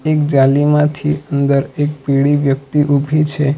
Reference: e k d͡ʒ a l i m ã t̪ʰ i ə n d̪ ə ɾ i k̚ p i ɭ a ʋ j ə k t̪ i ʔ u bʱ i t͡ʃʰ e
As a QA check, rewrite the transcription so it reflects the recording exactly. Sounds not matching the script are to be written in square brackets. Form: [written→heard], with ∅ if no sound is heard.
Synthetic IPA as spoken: e k d͡ʒ a l i m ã t̪ʰ i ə n d̪ ə ɾ [i→e] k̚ p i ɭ [a→i] ʋ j ə k t̪ i ʔ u bʱ i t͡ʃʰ e

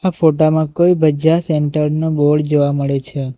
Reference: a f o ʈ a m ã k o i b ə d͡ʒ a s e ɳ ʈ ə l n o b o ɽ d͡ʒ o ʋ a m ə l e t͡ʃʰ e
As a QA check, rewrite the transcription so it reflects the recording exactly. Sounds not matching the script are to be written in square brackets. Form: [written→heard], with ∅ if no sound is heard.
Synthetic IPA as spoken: a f o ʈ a m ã k o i b ə d͡ʒ a s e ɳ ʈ ə [l→ɾ] n o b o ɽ d͡ʒ o ʋ a m ə [l→ɭ] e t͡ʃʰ e

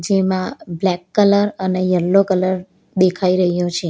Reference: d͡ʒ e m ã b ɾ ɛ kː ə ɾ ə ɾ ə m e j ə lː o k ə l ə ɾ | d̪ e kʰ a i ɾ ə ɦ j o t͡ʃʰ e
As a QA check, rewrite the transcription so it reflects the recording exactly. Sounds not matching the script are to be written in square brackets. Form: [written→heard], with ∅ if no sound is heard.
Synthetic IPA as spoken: d͡ʒ e m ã b [ɾ→l] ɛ kː ə [ɾ→l] ə ɾ ə [m→n] e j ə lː o k ə l ə ɾ | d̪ e kʰ a i ɾ ə ɦ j o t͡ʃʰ e

